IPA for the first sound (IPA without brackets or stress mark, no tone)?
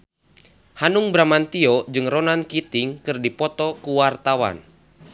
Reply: h